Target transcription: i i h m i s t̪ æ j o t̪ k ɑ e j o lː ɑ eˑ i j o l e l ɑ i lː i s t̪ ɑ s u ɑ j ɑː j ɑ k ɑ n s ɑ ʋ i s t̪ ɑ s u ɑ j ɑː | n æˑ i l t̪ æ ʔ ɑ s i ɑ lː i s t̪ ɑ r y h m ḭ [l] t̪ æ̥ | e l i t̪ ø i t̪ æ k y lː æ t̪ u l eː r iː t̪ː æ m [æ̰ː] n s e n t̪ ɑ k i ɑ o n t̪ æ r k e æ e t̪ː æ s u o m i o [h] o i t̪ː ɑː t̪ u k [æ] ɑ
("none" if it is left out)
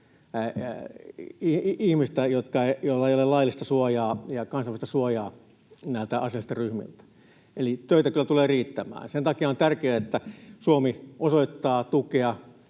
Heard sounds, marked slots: l, æ̰ː, s, e

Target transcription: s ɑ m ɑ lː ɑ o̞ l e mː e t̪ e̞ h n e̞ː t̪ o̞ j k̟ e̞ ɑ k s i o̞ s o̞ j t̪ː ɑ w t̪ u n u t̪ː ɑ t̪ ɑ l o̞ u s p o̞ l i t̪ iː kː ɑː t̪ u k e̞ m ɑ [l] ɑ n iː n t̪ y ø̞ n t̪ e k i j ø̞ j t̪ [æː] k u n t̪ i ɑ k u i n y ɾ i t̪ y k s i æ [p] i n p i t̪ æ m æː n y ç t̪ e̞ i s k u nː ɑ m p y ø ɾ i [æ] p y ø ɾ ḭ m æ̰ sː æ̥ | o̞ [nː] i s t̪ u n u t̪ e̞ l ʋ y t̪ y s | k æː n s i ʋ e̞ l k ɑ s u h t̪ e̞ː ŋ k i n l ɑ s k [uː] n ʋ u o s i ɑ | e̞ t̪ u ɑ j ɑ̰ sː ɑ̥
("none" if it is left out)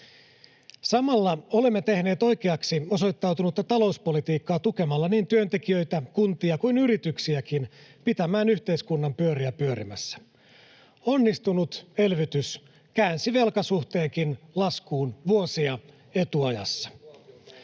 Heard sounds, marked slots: lː, æ, k, æ, nː, uː

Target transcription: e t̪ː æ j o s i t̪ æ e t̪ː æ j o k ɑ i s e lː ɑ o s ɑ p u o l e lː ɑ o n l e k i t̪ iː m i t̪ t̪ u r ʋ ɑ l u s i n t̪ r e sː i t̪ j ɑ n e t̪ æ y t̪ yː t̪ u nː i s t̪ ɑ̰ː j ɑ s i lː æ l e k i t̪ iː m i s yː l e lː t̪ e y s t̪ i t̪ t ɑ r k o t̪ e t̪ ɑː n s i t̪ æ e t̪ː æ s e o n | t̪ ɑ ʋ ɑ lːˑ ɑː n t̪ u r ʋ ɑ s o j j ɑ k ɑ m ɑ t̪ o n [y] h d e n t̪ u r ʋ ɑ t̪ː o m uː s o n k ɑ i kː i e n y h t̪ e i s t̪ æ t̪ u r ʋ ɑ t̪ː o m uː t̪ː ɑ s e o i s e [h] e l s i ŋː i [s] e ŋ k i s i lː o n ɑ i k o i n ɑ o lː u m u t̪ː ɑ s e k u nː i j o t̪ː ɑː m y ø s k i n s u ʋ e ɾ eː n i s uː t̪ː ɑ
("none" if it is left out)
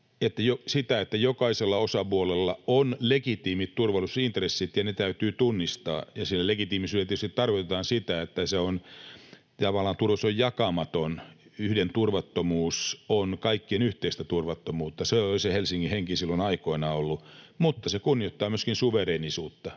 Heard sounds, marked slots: y, h, h

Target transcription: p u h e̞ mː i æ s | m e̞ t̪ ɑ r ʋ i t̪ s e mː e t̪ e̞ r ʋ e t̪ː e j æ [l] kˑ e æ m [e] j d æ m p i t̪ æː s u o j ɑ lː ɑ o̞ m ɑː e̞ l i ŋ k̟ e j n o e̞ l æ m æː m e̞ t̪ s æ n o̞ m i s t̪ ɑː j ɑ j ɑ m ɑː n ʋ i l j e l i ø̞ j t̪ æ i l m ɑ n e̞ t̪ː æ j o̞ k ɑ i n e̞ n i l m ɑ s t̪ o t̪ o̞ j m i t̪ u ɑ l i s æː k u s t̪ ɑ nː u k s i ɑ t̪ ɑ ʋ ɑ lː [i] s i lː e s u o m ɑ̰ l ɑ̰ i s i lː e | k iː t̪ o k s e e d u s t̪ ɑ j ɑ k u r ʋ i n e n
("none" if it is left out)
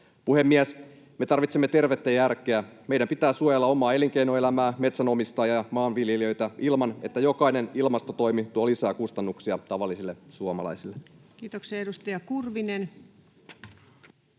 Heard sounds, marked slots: r, e, i

